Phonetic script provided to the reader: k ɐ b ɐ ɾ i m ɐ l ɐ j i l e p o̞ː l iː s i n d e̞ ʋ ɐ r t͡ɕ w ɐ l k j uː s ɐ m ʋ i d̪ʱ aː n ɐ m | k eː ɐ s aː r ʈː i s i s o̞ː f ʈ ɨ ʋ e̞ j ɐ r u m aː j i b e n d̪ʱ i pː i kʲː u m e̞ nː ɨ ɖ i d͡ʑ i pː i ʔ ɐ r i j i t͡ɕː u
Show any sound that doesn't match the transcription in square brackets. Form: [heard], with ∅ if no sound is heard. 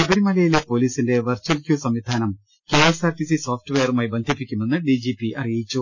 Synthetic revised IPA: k ɐ b ɐ ɾ i m ɐ l ɐ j i l e p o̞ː l iː s i n d e̞ ʋ ɐ r t͡ɕ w ɐ l k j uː s ɐ m ʋ i d̪ʱ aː n ɐ m | k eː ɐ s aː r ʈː i s i s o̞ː f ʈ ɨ ʋ e̞ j ɐ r u m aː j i b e n d̪ʱ i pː i kʲː u m e̞ nː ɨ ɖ i d͡ʑ i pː i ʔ ɐ r i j i t͡ɕː u